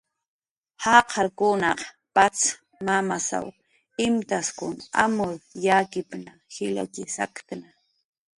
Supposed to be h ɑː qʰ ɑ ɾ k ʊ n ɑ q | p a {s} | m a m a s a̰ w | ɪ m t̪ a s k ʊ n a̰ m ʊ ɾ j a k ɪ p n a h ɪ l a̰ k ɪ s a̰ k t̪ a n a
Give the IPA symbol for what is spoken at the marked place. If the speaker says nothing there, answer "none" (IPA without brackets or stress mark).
t͡s